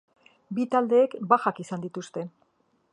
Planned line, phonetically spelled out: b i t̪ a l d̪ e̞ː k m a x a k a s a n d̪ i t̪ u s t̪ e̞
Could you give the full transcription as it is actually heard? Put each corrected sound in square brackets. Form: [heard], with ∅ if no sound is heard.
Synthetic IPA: b i t̪ a l d̪ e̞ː k [b] a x a k [i] s a n d̪ i t̪ u s t̪ e̞